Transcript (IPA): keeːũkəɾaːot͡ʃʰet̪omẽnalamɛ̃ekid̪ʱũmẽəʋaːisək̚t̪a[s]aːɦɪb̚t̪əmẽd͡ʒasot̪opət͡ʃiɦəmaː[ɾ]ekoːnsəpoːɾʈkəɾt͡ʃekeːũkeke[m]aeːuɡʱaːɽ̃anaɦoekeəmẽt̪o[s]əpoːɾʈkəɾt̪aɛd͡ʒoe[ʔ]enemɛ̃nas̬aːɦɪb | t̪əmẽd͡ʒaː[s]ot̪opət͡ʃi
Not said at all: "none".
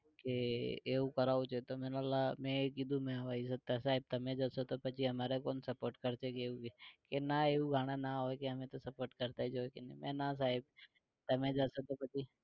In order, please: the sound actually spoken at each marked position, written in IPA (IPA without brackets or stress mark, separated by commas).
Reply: s, ɾ, n, s, k, s